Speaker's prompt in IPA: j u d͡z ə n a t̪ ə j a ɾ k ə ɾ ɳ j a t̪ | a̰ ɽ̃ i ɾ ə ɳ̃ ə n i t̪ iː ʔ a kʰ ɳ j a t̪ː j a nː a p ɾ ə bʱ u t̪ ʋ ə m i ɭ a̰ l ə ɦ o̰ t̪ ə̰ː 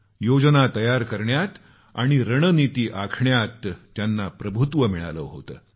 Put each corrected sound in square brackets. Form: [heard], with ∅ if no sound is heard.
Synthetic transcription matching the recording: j [o] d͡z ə n a t̪ ə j a ɾ k ə ɾ ɳ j a t̪ | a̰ ɽ̃ i ɾ ə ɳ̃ ə n i t̪ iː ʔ a kʰ ɳ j a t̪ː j a nː a p ɾ ə bʱ u t̪ ʋ ə m i ɭ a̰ l ə ɦ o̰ t̪ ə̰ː